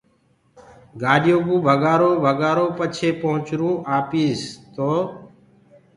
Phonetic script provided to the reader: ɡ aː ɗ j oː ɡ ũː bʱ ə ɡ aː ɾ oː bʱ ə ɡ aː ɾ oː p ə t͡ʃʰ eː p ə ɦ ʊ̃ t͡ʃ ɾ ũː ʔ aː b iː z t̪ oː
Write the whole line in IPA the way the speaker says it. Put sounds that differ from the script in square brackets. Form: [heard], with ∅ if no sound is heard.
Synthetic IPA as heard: ɡ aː ɗ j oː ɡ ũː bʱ ə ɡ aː ɾ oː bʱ ə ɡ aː ɾ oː p ə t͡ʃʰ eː p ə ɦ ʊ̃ t͡ʃ ɾ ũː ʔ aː [p] iː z t̪ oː